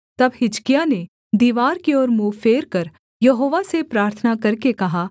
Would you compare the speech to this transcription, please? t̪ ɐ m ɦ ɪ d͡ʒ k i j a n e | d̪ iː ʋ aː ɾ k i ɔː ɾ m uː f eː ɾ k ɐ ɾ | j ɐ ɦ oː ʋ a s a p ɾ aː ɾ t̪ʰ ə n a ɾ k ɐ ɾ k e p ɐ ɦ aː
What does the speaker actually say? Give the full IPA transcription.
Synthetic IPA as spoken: t̪ ɐ b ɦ ɪ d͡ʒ k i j a n e | d̪ iː ʋ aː ɾ k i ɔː ɾ m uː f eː ɾ k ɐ ɾ | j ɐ ɦ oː ʋ a s e p ɾ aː ɾ t̪ʰ ə n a k ɐ ɾ k e k ɐ ɦ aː